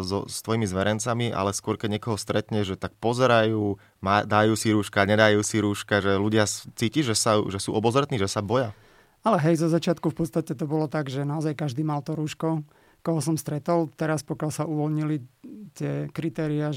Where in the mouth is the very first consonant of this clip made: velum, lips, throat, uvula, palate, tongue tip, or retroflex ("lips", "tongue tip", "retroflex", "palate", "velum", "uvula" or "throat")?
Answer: tongue tip